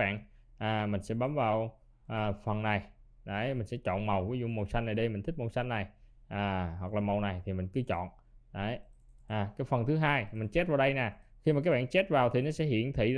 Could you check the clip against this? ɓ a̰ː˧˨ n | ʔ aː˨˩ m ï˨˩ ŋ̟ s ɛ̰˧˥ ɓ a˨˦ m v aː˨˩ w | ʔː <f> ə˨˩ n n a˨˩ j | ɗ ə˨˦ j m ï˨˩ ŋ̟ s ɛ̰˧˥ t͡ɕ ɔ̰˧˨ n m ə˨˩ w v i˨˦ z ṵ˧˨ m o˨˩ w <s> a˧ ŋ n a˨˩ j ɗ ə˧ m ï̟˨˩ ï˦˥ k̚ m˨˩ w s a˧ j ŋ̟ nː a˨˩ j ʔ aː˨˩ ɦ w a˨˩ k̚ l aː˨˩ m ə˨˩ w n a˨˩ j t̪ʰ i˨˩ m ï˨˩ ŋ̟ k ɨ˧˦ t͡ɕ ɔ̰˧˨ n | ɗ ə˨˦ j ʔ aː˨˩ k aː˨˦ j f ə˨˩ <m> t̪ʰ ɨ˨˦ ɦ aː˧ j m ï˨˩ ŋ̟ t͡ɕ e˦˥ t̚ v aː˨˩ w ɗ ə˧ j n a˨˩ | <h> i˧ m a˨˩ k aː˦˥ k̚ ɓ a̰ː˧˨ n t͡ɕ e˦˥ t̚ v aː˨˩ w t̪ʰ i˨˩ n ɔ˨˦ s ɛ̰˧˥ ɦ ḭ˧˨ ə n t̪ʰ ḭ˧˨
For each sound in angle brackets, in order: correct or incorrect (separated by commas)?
correct, correct, incorrect, incorrect